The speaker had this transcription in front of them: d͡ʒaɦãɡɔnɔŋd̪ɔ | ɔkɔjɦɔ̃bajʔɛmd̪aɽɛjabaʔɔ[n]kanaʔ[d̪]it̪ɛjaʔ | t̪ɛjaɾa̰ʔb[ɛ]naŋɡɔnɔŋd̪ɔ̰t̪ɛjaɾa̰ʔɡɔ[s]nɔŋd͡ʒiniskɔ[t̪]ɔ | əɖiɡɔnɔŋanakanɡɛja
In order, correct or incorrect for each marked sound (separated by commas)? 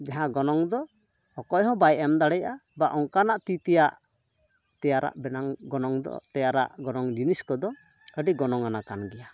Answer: incorrect, incorrect, correct, incorrect, incorrect